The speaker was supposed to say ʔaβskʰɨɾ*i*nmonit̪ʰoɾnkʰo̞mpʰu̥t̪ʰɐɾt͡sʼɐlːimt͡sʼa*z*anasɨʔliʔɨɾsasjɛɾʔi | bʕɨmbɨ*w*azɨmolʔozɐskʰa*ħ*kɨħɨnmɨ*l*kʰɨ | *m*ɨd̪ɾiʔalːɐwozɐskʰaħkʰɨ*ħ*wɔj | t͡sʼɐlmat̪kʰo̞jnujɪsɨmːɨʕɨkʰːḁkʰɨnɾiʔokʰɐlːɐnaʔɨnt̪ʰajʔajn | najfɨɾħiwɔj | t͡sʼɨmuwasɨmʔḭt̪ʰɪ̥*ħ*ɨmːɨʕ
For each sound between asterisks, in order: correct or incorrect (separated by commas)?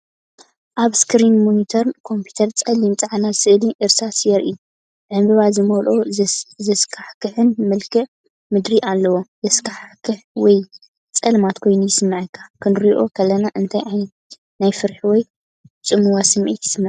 correct, incorrect, incorrect, correct, correct, correct, correct, incorrect